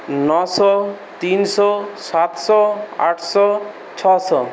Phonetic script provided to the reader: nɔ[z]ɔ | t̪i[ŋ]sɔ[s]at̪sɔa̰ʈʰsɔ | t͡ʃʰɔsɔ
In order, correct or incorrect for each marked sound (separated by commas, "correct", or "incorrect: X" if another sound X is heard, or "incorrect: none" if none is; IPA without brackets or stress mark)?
incorrect: s, incorrect: n, correct